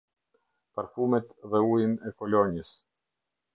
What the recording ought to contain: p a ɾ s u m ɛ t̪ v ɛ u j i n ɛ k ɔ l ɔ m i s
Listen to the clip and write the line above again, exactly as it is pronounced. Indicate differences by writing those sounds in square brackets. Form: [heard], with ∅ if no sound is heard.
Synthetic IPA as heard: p a ɾ [f] u m ɛ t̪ [ð] ɛ u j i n ɛ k ɔ l ɔ [ɲ] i s

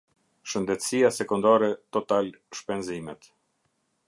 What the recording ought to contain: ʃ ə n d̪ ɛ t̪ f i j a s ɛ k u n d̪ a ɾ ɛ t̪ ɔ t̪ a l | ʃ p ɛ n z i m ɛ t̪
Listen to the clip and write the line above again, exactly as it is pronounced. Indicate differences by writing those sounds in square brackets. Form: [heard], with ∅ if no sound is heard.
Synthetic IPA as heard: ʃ ə n d̪ ɛ t̪ [s] i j a s ɛ k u n d̪ a ɾ ɛ t̪ ɔ t̪ a l | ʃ p ɛ n z i m ɛ t̪

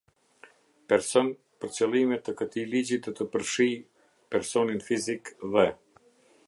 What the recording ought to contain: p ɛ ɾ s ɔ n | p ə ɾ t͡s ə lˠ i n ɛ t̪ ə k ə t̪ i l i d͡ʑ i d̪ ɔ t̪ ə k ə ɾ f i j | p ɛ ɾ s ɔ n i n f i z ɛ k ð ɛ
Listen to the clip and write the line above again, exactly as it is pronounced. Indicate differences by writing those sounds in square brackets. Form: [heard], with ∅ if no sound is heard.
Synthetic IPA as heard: p ɛ ɾ s ɔ n | p ə ɾ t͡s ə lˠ i [m] ɛ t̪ ə k ə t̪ i l i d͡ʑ i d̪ ɔ t̪ ə [p] ə ɾ [ʃ] i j | p ɛ ɾ s ɔ n i n f i z [i] k ð ɛ

